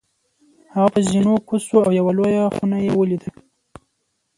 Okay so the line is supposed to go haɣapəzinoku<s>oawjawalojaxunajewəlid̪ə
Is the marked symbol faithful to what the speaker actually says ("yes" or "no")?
yes